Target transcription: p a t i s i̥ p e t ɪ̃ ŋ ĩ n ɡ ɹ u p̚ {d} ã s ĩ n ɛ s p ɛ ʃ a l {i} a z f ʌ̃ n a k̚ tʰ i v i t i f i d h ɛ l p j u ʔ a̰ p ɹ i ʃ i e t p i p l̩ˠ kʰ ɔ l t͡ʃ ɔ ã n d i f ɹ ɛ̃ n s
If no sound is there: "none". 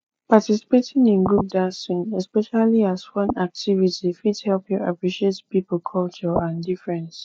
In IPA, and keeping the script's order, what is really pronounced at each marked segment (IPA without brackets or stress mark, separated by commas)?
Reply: d, i